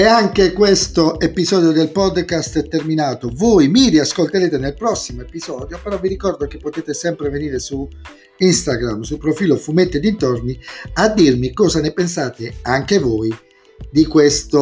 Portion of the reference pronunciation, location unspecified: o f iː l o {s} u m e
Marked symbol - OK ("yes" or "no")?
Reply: no